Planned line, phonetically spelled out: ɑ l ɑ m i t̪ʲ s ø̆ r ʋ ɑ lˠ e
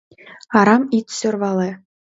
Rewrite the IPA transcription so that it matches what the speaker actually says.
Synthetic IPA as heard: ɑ ɾ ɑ m i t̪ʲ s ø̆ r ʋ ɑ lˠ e